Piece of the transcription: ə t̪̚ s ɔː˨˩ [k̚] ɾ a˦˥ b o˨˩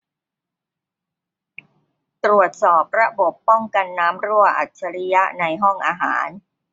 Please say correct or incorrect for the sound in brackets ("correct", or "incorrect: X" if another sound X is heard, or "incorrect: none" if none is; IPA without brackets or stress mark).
incorrect: p̚